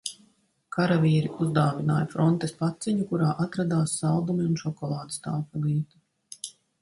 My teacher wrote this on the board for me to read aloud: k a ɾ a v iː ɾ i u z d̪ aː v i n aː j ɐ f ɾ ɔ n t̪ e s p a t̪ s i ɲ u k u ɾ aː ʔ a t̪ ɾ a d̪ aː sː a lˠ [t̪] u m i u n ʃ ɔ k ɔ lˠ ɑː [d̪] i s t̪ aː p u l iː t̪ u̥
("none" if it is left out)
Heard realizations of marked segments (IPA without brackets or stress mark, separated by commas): d̪, d̪